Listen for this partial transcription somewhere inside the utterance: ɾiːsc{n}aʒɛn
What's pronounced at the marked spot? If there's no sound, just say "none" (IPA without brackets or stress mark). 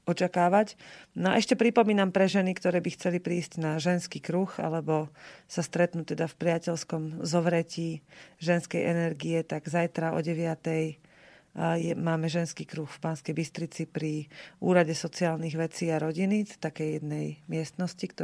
n